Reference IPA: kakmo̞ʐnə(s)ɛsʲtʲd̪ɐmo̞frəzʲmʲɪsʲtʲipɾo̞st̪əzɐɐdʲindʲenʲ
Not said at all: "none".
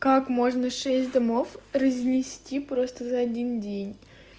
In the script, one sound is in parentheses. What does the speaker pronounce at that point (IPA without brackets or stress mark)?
ʂ